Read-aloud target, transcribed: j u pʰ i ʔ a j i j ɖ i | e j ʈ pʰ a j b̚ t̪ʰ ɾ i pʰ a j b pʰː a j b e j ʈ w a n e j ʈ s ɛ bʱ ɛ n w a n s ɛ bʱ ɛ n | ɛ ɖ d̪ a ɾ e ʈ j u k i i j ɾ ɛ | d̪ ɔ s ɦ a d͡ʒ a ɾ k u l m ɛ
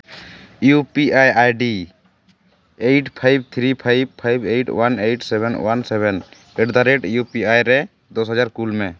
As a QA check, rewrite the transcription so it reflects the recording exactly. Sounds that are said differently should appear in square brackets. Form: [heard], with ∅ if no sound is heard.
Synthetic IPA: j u [p] i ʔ a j [a] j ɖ i | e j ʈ pʰ a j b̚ t̪ʰ ɾ i pʰ a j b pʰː a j b e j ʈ w a n e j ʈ s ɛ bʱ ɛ n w a n s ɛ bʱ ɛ n | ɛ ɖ d̪ a ɾ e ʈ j u [p] i [a] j ɾ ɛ | d̪ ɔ s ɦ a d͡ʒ a ɾ k u l m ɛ